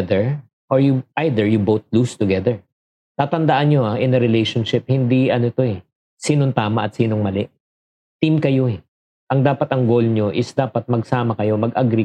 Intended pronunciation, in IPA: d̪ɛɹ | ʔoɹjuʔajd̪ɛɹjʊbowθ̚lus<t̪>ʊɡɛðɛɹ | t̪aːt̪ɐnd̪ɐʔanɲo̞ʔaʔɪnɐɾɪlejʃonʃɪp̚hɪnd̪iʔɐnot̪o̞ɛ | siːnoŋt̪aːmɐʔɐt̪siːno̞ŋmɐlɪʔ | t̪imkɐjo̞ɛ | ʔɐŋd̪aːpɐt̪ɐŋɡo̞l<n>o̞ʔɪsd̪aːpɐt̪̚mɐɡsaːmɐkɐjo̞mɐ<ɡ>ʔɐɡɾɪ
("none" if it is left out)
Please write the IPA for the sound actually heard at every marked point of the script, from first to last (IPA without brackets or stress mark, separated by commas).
t̪, ɲ, ɡ